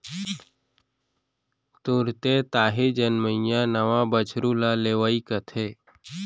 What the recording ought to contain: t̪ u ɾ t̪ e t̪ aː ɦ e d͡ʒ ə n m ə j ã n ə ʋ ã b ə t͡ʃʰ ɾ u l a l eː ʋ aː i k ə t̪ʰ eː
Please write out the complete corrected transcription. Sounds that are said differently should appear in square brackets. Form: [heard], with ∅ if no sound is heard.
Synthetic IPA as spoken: t̪ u ɾ t̪ e t̪ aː ɦ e d͡ʒ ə n m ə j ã n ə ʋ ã b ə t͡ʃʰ ɾ u l a l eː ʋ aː i k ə t̪ʰ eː